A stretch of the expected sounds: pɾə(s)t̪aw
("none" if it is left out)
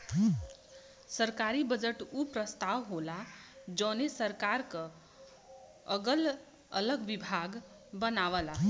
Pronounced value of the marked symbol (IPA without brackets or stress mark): s